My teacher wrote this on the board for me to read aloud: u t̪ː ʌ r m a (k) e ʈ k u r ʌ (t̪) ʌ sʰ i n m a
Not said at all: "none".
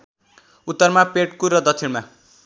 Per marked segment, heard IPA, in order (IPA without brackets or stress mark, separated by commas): p, d̪